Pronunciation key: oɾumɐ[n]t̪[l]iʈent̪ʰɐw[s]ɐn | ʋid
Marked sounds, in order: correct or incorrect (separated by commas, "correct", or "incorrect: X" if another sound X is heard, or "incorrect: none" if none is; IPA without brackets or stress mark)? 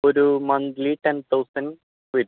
correct, correct, correct